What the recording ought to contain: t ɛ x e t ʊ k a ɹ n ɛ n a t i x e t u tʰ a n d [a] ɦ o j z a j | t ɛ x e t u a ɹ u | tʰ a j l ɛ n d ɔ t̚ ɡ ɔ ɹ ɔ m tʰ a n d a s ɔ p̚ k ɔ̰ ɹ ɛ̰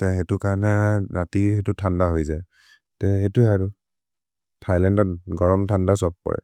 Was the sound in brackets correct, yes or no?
yes